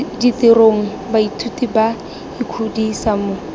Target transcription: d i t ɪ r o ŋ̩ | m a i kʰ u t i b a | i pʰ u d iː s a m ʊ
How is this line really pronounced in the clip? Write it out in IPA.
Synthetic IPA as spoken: d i t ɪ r o ŋ̩ | b a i tʰ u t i b a | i kʰ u d i s a m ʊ